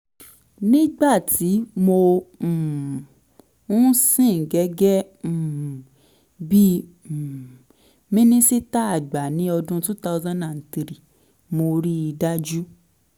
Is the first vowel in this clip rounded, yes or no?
no